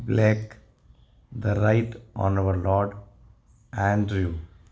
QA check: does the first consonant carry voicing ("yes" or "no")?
yes